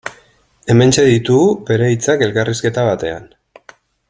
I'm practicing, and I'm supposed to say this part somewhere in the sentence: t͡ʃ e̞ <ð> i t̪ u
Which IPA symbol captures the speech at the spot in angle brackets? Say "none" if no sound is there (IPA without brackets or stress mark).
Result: ð